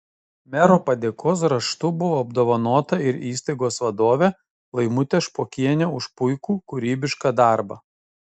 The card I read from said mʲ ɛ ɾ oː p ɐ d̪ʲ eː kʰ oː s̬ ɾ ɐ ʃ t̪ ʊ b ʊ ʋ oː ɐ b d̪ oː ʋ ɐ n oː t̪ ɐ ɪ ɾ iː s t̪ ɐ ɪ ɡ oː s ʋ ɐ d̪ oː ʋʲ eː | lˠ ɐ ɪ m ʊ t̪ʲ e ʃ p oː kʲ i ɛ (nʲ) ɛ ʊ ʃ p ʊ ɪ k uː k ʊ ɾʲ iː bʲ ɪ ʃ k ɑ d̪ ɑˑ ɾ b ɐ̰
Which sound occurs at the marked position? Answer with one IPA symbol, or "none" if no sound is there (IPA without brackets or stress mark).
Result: nʲ